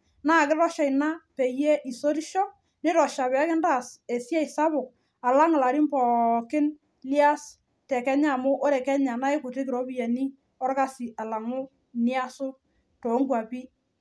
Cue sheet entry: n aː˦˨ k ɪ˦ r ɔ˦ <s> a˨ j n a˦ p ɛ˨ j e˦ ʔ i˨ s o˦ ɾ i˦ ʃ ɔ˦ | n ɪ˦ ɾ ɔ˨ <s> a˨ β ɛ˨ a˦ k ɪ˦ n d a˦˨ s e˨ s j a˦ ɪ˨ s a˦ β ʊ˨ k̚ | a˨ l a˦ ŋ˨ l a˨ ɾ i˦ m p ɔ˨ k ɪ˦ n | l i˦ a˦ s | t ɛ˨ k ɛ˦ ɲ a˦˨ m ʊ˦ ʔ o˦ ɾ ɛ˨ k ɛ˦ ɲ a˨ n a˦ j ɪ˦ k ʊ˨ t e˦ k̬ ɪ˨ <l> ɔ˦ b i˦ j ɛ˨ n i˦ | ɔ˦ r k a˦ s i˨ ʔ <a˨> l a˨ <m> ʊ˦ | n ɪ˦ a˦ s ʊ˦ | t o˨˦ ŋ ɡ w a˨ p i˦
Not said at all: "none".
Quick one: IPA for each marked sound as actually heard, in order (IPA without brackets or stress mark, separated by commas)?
ʃ, ʃ, ɾ, a˨, ŋ